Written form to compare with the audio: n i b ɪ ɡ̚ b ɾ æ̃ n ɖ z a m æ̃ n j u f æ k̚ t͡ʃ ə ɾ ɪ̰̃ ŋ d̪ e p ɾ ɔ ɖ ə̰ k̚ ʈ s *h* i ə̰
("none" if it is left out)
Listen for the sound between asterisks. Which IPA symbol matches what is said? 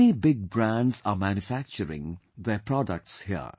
h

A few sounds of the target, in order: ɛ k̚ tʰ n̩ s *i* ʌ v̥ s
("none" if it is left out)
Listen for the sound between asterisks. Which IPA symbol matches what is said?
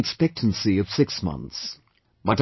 i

